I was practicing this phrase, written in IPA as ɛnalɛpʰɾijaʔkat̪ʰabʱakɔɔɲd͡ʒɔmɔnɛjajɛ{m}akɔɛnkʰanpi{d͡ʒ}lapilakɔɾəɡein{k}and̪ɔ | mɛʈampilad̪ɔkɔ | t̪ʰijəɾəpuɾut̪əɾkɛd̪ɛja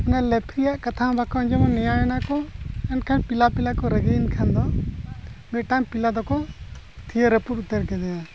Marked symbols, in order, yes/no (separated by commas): no, no, no